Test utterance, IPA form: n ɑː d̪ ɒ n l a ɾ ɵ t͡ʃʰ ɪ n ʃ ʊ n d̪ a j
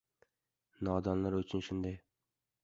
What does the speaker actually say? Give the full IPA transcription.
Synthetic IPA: n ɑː d̪ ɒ n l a ɾ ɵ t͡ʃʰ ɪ n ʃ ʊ n d̪ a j